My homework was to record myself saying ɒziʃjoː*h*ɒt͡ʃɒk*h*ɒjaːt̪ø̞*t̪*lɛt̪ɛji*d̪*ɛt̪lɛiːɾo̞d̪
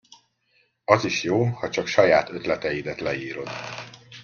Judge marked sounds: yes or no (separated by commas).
yes, no, yes, yes